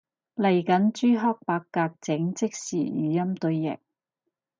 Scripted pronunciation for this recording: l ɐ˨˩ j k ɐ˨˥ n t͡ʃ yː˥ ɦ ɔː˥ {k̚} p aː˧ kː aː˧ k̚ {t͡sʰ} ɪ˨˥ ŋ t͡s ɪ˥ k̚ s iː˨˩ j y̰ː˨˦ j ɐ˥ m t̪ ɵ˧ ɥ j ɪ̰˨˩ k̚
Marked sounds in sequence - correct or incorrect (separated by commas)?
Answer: correct, incorrect